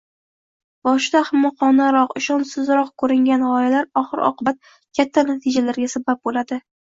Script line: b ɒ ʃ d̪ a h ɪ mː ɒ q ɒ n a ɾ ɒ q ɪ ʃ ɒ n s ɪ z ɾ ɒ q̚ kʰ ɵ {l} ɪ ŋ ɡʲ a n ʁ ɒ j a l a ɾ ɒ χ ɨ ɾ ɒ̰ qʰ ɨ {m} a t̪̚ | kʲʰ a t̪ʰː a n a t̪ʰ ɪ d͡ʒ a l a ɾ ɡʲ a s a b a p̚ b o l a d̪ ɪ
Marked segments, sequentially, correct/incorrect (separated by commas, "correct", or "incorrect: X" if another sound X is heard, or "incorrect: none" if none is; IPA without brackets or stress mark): incorrect: ɾ, incorrect: b